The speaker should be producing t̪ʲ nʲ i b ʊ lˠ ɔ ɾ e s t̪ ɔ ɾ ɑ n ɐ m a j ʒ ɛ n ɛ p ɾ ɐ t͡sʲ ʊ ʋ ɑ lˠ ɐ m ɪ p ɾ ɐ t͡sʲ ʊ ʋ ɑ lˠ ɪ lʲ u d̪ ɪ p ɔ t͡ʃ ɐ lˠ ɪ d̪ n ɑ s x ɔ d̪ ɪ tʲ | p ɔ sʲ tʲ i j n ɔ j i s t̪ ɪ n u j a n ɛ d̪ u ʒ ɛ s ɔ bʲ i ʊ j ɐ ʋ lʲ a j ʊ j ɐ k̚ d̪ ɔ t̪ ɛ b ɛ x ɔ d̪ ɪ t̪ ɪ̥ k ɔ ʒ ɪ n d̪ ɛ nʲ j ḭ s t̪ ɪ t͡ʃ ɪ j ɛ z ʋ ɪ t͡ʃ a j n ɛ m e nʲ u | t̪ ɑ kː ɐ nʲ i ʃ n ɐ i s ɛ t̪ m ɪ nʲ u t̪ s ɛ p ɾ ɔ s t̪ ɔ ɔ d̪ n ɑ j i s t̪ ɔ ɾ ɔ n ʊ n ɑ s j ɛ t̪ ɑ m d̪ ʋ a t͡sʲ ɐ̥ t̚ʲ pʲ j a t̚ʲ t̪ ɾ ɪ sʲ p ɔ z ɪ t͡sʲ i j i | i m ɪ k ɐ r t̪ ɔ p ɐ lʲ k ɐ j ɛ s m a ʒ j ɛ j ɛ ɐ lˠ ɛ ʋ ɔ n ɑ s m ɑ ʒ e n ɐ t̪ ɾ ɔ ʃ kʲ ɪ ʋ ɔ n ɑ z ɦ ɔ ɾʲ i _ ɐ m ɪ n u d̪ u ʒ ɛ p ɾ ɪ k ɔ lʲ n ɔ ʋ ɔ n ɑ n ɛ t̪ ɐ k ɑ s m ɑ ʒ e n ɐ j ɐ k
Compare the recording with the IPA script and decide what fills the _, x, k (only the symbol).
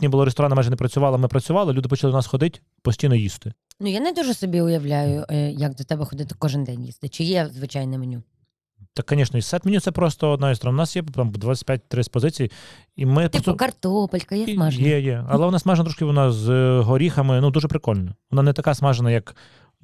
x